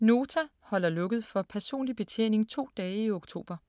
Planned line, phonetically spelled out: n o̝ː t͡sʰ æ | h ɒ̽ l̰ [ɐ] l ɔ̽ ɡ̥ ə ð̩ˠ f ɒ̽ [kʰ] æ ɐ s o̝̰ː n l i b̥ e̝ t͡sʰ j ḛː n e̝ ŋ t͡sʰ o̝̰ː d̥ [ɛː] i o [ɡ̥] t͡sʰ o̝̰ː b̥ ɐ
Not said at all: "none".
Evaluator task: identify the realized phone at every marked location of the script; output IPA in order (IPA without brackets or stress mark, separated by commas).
ɐ, pʰ, ɛː, ɡ̥